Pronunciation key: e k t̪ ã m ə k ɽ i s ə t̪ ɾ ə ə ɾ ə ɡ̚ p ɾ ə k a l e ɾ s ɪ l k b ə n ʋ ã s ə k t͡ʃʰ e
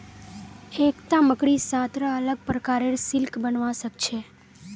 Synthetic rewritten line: e k t̪ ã m ə k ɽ i s a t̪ ɾ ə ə l ə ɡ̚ p ɾ ə k a ɾ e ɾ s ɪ l k b ə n ʋ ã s ə k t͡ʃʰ e